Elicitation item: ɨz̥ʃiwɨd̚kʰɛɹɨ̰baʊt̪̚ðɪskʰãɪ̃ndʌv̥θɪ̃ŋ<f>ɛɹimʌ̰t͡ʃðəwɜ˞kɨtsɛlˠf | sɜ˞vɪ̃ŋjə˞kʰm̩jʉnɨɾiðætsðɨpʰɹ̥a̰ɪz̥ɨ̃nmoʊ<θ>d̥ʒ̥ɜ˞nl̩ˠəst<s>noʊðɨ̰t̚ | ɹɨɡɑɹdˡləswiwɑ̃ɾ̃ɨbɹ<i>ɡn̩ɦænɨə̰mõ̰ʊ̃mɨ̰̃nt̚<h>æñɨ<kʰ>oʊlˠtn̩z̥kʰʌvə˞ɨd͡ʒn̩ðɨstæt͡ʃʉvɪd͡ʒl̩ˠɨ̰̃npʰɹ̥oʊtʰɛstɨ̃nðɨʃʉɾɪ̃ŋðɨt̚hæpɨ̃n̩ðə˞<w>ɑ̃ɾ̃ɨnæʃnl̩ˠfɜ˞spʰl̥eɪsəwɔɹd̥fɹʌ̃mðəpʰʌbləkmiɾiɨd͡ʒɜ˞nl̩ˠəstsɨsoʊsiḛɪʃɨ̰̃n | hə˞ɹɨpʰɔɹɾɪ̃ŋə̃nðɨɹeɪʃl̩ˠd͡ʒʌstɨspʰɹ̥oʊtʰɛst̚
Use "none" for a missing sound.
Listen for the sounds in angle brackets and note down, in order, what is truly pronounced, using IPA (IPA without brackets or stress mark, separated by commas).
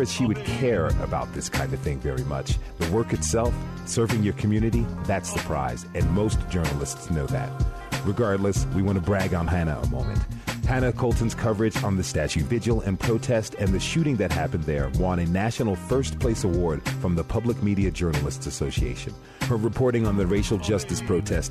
v, s, s, æ, h, kʰ, w